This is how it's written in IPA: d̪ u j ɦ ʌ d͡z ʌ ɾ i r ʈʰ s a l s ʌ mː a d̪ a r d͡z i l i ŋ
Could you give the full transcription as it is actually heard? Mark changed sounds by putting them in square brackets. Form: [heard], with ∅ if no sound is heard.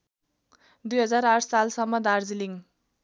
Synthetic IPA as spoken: d̪ u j ɦ ʌ d͡z [a] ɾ [a] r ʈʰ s a l s ʌ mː [ʌ] d̪ a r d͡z i l i ŋ